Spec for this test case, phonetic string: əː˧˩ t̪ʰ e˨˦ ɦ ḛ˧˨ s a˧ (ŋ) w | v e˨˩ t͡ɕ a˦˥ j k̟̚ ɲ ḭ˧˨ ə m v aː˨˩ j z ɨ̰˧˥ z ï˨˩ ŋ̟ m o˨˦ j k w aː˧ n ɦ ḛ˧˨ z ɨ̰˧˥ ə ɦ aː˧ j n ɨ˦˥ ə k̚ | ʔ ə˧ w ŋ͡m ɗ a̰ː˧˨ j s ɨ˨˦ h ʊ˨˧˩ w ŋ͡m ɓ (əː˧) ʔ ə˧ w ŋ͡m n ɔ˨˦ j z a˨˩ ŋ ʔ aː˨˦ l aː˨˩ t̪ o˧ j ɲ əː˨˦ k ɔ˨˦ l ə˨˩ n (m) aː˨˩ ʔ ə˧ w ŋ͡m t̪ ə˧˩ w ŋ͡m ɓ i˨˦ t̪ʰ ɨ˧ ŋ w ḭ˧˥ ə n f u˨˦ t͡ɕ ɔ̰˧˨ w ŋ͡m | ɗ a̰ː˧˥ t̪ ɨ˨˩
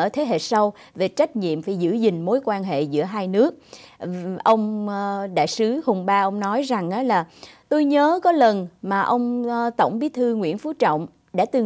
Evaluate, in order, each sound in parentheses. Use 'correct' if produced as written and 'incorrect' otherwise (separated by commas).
incorrect, incorrect, correct